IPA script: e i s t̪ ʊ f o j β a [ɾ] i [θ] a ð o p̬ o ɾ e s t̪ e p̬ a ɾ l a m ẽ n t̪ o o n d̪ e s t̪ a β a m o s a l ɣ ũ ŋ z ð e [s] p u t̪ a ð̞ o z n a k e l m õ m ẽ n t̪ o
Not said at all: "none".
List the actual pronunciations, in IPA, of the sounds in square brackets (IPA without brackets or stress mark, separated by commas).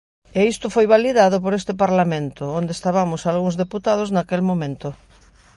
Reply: l, ð, none